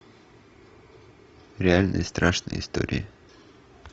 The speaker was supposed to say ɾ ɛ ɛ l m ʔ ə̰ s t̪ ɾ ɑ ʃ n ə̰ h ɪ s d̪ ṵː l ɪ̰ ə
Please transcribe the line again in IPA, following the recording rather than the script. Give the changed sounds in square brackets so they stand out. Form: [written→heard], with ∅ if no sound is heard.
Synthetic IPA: ɾ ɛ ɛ l [m→n] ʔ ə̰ s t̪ ɾ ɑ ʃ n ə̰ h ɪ s [d̪→t̪] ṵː [l→ɾ] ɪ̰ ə